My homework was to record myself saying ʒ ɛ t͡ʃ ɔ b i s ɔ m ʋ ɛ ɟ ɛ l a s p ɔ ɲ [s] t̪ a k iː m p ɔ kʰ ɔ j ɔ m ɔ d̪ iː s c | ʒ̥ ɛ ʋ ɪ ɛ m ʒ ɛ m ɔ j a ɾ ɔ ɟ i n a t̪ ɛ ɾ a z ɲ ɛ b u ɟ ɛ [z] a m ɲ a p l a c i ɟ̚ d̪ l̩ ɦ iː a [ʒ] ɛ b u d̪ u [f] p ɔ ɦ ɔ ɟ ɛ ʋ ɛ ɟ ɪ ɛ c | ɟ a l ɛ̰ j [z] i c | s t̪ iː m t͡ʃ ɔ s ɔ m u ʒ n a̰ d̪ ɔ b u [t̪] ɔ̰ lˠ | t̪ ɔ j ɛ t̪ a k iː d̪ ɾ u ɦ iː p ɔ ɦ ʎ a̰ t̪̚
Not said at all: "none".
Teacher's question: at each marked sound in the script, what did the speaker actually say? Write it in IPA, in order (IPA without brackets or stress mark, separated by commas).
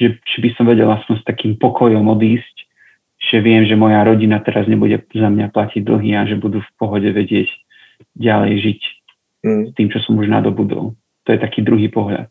s, z, ʒ, f, ʒ, d̪